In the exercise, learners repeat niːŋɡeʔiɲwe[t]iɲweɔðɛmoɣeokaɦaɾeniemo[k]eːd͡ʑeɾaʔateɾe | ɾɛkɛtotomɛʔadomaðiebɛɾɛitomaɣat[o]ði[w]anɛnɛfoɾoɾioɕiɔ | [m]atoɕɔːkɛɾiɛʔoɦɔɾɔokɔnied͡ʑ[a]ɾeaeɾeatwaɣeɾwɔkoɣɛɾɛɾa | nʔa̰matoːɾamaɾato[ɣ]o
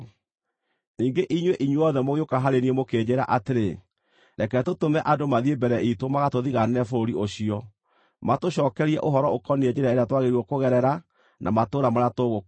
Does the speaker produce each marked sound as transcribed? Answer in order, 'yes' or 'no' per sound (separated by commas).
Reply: no, yes, yes, no, yes, no, yes